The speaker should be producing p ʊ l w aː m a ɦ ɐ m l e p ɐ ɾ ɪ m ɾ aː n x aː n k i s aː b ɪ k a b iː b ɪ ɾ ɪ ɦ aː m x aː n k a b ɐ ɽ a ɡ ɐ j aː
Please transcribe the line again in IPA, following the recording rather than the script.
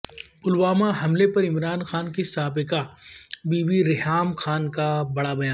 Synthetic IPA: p ʊ l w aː m a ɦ ɐ m l e p ɐ ɾ ɪ m ɾ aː n x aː n k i s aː b ɪ k a b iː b i ɾ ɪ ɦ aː m x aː n k a b ɐ ɽ a b ɐ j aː